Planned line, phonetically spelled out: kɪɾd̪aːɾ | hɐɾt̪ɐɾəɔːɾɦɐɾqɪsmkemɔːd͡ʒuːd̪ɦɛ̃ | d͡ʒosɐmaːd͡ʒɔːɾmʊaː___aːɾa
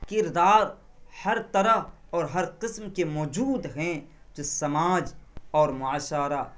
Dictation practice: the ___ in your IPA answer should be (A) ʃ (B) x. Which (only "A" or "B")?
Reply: A